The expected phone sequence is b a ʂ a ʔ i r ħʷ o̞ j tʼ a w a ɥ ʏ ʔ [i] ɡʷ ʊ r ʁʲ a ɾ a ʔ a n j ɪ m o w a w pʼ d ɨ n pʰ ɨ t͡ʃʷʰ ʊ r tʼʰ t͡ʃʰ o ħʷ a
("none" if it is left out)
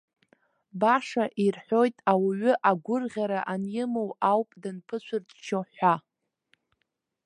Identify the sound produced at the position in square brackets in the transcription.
a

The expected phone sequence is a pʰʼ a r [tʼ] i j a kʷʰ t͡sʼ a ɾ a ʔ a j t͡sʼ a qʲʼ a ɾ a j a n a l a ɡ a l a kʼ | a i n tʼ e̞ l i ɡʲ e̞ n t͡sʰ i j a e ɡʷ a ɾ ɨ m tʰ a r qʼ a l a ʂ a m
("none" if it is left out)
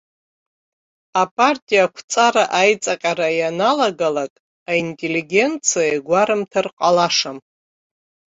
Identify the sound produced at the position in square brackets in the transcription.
tʼ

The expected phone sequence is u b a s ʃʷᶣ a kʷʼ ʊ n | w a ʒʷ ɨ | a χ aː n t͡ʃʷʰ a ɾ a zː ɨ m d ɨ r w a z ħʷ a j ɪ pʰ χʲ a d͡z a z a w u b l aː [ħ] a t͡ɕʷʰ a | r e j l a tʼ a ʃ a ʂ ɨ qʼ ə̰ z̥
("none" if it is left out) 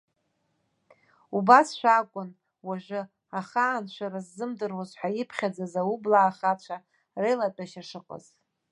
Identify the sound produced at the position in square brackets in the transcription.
χ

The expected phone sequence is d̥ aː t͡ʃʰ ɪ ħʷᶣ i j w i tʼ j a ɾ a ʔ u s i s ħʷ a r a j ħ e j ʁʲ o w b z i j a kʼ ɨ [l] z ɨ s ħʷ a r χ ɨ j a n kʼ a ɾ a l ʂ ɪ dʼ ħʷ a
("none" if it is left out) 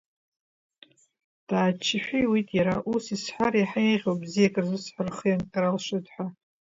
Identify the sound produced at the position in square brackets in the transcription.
r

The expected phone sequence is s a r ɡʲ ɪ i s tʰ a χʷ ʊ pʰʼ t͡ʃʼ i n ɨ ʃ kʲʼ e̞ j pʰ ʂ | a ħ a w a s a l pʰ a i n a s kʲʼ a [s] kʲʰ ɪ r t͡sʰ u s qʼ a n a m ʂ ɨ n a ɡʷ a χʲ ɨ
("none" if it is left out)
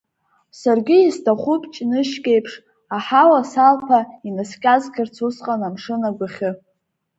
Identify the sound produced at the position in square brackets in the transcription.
z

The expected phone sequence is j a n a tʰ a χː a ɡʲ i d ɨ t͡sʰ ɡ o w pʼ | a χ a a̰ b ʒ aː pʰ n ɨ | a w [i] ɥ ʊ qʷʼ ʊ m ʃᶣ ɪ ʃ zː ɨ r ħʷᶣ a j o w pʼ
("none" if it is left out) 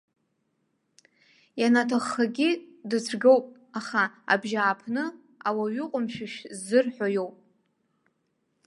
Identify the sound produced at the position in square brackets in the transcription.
a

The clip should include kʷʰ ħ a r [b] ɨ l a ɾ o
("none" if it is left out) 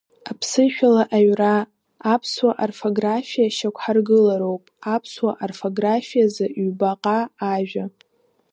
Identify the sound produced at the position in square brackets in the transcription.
ɡ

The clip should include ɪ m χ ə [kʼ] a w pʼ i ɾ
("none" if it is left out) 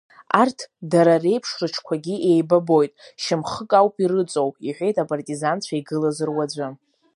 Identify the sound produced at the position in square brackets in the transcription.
kʼ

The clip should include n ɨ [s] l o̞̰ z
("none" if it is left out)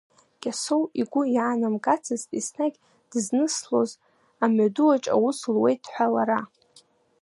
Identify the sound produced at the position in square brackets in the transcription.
s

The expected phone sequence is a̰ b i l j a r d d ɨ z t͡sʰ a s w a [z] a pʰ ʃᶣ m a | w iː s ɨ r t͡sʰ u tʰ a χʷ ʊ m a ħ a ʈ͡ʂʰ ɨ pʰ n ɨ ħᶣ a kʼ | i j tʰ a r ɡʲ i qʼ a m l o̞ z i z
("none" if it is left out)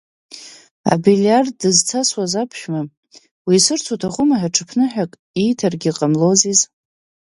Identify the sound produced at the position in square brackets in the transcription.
z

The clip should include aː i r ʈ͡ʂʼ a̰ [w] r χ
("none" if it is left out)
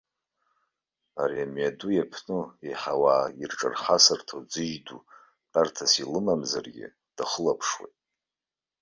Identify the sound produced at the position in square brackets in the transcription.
none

